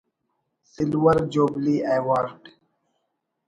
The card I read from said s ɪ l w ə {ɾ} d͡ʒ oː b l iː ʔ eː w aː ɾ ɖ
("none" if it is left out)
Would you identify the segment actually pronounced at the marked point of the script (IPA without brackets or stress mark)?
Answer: ɾ